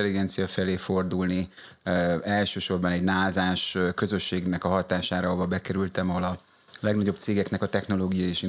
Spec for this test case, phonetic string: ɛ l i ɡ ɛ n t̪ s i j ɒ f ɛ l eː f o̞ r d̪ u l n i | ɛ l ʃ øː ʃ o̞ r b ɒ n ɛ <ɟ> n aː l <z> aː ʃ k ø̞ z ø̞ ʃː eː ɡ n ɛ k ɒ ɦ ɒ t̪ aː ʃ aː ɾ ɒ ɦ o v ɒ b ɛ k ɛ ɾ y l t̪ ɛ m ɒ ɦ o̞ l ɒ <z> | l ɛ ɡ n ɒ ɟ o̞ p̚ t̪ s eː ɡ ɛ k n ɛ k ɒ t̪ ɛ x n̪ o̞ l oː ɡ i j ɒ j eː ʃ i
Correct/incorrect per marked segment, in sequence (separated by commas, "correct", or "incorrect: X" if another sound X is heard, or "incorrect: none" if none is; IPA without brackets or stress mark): correct, correct, incorrect: none